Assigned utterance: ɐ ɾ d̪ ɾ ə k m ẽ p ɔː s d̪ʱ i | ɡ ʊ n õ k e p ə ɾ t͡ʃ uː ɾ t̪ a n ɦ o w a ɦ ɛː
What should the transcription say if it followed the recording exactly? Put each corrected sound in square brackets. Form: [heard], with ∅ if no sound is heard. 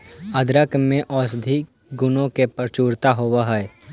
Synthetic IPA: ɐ [∅] d̪ ɾ ə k m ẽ [ʔ] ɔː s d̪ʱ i | ɡ ʊ n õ k e p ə ɾ t͡ʃ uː ɾ t̪ a [∅] ɦ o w a ɦ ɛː